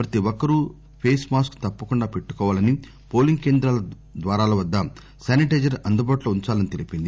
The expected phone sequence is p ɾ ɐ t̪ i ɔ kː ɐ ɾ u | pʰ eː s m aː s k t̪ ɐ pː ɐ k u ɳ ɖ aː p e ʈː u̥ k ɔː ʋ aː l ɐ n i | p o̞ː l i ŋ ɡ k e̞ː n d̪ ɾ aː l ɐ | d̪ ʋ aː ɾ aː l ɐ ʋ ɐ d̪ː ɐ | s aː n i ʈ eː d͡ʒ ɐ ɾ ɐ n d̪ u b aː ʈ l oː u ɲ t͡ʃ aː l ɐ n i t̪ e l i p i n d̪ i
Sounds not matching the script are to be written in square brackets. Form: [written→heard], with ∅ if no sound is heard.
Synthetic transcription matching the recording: p ɾ ɐ t̪ i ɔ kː ɐ ɾ u | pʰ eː s m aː s k t̪ ɐ pː ɐ k u ɳ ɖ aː p e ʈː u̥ k ɔː ʋ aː l ɐ n i | p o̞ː l i ŋ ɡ k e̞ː n d̪ ɾ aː l ɐ | d̪ ʋ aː ɾ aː l ɐ ʋ ɐ d̪ː ɐ | s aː n i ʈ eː d͡ʒ ɐ ɾ ɐ n d̪ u b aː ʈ l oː u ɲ t͡ʃ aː l ɐ n i t̪ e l i p i n d̪ i